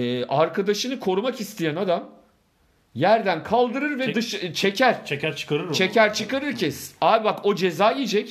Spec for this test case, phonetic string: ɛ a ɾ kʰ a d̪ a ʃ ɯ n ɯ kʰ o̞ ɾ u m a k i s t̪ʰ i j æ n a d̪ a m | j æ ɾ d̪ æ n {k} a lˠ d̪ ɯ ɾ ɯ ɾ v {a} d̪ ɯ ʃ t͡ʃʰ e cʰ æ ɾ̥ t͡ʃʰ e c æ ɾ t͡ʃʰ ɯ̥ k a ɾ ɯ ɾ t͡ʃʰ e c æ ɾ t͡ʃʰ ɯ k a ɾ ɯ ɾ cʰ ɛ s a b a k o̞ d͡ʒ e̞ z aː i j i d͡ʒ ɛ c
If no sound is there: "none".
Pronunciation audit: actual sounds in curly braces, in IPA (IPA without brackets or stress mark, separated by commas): kʰ, ɛ